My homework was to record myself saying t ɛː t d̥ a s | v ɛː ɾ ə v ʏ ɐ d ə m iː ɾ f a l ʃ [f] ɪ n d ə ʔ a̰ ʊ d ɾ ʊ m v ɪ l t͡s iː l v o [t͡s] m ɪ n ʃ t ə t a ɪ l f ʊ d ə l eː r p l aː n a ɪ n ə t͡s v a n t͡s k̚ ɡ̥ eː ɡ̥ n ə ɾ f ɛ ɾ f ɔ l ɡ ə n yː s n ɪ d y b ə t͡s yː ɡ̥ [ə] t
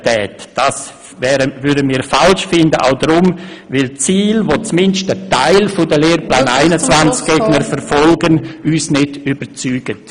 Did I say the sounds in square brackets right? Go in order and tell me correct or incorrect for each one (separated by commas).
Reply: correct, correct, correct